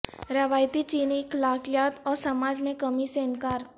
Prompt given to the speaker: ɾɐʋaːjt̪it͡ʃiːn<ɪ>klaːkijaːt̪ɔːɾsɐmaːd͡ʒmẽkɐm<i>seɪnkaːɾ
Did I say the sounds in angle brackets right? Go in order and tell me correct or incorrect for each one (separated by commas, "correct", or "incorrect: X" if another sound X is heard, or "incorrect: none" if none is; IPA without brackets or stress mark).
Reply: incorrect: i, correct